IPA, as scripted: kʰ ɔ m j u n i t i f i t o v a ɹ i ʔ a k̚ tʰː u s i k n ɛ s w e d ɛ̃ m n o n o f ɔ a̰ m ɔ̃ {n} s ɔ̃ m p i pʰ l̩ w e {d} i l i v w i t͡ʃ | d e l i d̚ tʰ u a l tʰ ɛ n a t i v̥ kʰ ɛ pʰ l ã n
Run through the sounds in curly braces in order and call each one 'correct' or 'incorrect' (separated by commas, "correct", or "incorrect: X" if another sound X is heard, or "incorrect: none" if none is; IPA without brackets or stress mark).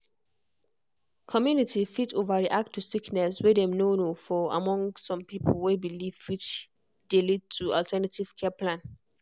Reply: incorrect: ŋ, incorrect: b